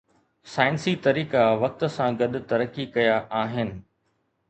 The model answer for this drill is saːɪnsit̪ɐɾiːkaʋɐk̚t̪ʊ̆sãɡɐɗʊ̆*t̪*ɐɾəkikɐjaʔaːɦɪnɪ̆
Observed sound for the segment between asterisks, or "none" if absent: t̪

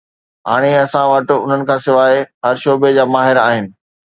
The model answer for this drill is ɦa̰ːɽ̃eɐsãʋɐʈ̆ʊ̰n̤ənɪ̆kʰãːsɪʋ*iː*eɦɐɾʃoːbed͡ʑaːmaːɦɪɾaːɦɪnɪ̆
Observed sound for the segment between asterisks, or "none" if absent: aː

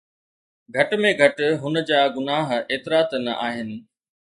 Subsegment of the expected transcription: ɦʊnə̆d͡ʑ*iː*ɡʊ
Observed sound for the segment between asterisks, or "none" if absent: aː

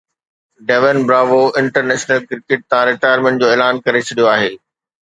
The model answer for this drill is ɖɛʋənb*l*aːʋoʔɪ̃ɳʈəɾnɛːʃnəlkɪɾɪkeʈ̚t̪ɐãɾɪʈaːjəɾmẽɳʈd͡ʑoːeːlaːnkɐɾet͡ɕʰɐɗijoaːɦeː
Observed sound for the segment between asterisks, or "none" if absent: ɾ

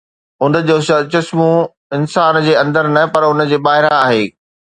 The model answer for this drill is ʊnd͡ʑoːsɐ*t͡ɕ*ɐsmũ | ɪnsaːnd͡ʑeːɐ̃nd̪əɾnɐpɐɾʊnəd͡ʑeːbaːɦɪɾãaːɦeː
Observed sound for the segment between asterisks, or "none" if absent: t͡ɕ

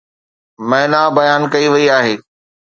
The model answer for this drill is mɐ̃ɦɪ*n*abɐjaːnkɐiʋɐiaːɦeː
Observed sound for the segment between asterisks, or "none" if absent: n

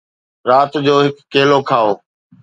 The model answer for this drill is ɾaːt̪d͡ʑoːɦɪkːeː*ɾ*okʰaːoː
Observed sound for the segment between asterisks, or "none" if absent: l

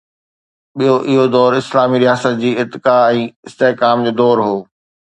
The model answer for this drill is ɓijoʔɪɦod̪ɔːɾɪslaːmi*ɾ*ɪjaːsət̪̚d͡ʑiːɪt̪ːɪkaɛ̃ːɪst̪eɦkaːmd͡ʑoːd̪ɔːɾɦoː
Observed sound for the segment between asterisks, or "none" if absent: ɾ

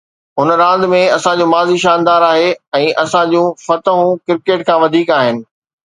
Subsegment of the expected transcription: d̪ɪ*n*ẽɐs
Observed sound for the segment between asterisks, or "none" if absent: m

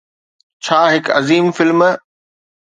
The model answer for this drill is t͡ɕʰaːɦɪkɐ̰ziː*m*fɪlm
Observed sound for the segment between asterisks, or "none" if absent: m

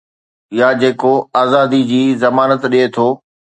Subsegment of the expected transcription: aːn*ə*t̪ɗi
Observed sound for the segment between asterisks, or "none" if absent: ə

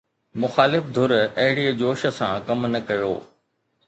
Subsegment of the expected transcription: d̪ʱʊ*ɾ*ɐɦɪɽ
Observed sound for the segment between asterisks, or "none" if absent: ɾ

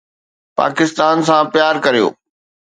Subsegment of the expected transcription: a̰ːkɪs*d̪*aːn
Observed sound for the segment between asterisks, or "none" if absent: t̪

